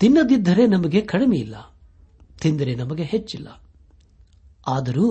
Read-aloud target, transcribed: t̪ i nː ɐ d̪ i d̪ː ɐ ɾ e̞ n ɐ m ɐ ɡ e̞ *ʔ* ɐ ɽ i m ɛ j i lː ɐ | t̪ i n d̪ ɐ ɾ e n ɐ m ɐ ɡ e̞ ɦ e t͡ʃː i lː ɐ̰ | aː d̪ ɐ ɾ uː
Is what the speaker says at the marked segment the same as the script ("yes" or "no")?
no